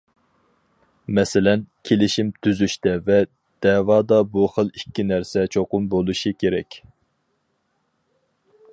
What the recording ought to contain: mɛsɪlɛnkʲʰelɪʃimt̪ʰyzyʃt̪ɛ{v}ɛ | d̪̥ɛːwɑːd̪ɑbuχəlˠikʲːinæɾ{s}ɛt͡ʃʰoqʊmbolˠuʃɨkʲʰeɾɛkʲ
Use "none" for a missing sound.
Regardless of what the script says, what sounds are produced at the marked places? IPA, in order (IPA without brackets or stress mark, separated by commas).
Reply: v, s